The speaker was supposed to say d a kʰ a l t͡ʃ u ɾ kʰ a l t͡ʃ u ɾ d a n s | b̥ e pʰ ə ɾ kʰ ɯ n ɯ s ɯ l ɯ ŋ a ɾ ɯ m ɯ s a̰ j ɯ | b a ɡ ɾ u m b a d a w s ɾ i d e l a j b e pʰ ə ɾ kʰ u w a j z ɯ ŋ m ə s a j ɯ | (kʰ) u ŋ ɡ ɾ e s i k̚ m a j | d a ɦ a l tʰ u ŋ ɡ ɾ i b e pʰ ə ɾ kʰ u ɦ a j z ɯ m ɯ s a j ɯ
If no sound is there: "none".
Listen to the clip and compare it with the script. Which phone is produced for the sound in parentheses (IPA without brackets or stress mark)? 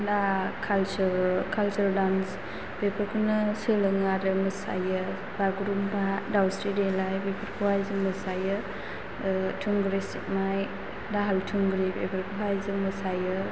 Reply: tʰ